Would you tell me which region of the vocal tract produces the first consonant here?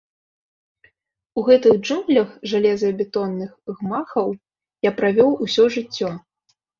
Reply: velum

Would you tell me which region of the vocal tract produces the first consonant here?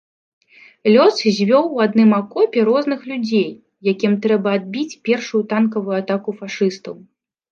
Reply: tongue tip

